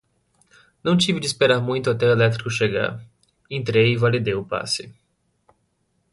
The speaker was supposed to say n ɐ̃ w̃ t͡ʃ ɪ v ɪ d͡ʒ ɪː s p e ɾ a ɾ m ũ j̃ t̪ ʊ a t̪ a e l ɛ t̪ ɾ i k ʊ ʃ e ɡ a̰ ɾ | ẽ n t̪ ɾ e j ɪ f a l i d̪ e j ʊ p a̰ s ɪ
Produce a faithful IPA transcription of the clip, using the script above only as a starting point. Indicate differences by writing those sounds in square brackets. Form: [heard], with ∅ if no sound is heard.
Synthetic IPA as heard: n ɐ̃ w̃ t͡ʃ [i] v ɪ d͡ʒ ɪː s p e ɾ a ɾ m ũ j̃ t̪ ʊ a t̪ [ɛ] e l ɛ t̪ ɾ i k ʊ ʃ e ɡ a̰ ɾ | ẽ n t̪ ɾ e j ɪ [v] a l i d̪ e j ʊ p a̰ s ɪ